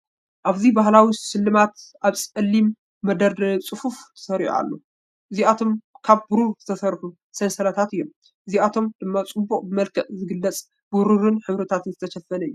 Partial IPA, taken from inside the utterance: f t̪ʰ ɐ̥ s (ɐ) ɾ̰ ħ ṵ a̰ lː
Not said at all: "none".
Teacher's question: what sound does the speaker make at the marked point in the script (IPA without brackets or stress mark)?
ɐ